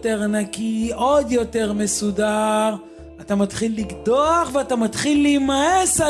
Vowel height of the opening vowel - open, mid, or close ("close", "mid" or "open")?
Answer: mid